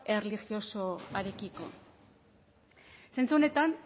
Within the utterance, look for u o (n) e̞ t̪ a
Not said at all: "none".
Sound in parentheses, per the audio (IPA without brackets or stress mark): n